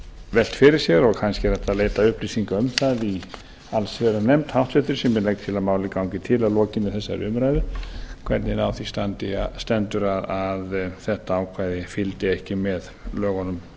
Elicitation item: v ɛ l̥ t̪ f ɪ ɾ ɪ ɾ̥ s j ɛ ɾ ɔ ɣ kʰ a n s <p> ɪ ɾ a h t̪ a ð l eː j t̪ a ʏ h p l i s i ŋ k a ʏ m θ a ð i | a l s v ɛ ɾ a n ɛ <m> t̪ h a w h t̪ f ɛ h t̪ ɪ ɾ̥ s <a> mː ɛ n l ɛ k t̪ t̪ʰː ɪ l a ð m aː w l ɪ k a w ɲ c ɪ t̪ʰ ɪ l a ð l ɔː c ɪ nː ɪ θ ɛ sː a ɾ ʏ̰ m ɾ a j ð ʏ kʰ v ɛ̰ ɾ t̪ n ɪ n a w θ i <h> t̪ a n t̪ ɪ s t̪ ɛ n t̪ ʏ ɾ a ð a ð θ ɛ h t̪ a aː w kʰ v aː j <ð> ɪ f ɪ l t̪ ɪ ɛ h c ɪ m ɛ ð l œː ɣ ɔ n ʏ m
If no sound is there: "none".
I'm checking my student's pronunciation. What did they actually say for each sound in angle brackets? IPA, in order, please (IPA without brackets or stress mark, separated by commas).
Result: c, m, ɛ, s, ð